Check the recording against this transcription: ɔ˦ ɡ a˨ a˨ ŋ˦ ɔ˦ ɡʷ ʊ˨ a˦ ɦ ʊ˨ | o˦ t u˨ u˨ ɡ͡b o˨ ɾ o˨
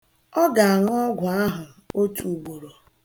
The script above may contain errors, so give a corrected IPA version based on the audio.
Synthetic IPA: ɔ˦ ɡ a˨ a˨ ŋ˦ ɔ˦ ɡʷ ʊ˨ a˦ ɦ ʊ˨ | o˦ t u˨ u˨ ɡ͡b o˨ ɾ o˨